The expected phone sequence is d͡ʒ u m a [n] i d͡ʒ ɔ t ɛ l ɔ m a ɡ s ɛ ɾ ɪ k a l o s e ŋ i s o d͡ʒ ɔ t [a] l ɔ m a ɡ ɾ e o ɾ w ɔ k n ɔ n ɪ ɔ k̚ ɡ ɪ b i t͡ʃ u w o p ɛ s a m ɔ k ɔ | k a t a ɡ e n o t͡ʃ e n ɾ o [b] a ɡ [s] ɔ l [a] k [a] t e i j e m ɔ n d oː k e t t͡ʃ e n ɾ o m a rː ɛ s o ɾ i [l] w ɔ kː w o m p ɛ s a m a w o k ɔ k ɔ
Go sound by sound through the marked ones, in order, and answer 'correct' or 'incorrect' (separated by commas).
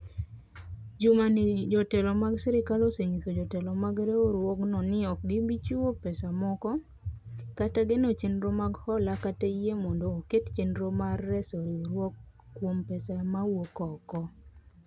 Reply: correct, incorrect, incorrect, incorrect, correct, correct, incorrect